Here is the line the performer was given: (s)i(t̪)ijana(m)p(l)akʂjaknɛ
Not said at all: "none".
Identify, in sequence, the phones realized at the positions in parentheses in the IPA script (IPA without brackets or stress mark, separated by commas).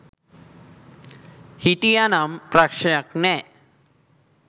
h, t̪, m, ɾ